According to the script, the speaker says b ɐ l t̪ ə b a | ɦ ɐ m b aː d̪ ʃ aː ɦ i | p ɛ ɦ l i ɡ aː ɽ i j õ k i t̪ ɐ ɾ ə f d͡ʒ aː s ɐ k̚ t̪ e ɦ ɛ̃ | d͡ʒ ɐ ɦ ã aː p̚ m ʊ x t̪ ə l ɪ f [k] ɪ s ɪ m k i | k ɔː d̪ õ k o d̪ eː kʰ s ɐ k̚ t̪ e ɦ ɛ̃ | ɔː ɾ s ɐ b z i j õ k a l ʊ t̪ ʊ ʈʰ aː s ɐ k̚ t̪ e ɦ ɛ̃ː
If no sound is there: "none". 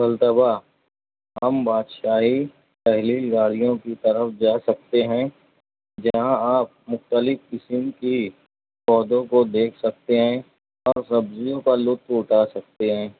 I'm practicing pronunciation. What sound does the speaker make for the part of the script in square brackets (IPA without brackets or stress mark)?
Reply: k